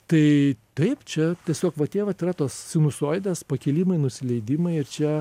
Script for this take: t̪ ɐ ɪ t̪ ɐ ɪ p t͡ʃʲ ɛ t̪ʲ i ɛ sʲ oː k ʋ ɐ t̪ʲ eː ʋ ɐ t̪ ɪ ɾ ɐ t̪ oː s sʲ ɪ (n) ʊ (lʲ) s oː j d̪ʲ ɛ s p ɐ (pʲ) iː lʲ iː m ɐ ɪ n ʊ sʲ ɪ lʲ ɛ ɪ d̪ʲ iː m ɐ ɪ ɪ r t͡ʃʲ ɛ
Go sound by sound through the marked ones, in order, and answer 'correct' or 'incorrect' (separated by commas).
correct, incorrect, incorrect